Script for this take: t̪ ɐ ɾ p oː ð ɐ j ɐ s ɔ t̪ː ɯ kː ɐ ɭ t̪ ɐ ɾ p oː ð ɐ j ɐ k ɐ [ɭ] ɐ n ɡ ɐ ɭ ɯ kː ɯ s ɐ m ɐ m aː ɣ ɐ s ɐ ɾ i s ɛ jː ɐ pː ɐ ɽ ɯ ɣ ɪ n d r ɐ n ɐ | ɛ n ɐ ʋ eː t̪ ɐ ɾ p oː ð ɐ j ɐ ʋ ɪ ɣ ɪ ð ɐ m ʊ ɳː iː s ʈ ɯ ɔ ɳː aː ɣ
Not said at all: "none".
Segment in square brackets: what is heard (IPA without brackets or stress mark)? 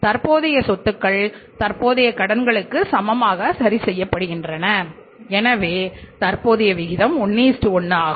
ɽ